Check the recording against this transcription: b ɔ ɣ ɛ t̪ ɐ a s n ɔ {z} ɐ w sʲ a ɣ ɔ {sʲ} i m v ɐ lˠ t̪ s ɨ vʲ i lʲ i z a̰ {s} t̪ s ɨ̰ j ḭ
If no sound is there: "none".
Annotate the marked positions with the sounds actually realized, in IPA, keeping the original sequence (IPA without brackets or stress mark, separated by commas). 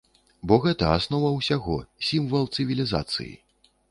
v, sʲ, none